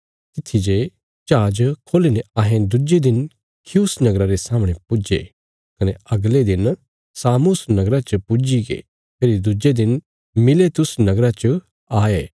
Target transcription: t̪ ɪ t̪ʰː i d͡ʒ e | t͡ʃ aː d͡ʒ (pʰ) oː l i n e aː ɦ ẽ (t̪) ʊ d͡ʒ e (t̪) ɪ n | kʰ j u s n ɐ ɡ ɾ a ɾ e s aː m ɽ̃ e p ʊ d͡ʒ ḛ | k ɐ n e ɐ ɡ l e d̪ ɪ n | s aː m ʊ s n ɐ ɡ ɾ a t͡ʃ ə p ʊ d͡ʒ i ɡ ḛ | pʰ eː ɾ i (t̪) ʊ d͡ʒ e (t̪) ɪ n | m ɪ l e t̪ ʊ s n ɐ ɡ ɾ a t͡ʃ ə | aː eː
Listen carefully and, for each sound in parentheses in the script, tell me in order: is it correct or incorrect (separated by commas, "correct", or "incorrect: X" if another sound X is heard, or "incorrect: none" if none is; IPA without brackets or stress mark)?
incorrect: kʰ, incorrect: d̪, incorrect: d̪, incorrect: d̪, incorrect: d̪